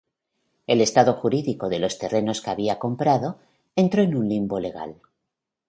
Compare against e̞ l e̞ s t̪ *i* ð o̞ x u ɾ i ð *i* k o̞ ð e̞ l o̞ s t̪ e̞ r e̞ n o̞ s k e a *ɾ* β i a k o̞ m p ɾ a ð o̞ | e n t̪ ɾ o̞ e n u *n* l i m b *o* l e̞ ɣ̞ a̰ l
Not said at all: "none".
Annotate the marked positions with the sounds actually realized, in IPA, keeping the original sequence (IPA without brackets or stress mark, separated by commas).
a, i, none, n, o